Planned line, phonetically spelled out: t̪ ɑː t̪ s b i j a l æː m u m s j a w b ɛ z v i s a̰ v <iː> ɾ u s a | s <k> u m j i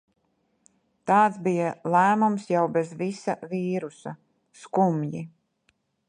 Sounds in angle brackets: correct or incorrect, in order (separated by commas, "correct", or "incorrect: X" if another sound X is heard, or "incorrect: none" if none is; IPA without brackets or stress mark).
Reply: correct, correct